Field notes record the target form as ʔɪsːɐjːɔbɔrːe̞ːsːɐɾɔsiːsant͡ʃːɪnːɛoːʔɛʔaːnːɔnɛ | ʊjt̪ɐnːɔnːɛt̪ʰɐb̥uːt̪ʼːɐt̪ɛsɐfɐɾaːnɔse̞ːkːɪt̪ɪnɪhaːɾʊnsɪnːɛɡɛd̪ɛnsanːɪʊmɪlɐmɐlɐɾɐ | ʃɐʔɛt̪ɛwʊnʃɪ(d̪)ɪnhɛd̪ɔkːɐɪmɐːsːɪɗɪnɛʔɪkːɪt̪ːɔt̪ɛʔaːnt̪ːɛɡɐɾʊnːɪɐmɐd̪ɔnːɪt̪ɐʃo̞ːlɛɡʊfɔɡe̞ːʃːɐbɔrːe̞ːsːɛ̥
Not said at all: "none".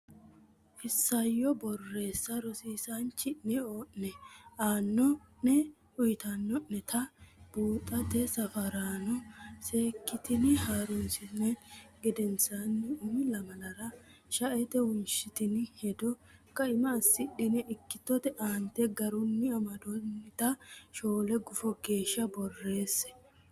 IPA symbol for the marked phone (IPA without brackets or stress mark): t̪